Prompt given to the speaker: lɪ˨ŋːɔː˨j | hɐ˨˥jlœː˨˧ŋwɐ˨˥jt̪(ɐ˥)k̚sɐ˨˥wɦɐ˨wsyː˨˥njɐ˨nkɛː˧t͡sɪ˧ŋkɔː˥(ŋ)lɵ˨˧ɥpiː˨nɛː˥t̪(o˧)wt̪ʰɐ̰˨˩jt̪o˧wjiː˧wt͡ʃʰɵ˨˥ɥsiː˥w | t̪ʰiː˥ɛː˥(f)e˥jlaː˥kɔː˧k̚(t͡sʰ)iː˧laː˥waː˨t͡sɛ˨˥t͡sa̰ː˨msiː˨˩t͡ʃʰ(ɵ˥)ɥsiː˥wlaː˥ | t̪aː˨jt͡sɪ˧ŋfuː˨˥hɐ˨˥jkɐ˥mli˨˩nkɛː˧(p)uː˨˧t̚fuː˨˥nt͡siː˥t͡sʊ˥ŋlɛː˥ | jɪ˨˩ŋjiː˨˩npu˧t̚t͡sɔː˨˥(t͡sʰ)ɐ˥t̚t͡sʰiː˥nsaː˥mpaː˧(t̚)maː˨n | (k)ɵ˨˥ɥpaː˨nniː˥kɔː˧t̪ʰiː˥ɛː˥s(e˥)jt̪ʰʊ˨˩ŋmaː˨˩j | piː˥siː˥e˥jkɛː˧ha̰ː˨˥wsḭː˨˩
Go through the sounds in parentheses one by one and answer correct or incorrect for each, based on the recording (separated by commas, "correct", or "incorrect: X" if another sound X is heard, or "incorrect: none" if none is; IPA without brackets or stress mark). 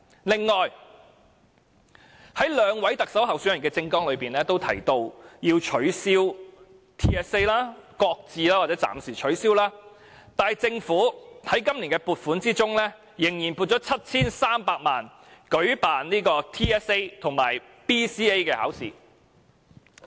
incorrect: ɐ˨, correct, incorrect: o˥, incorrect: s, incorrect: t͡s, incorrect: ɵ˨˥, correct, correct, incorrect: k̚, correct, correct